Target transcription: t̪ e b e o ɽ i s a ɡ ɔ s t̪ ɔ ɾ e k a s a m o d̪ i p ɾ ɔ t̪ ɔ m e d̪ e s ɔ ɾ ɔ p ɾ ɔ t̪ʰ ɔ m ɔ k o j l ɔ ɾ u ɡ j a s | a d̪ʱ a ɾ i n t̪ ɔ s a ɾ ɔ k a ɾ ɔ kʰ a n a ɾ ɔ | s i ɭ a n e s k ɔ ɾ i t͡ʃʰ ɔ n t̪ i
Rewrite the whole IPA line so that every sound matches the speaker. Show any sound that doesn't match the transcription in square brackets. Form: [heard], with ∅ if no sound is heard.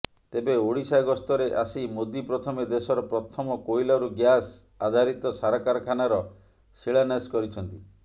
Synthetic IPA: t̪ e b e o ɽ i s a ɡ ɔ s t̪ ɔ ɾ e [ʔ] a s [i] m o d̪ i p ɾ ɔ [t̪ʰ] ɔ m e d̪ e s ɔ ɾ ɔ p ɾ ɔ t̪ʰ ɔ m ɔ k o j l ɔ ɾ u ɡ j a s | a d̪ʱ a ɾ i [∅] t̪ ɔ s a ɾ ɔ k a ɾ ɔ kʰ a n a ɾ ɔ | s i ɭ a n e s k ɔ ɾ i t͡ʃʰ ɔ n t̪ i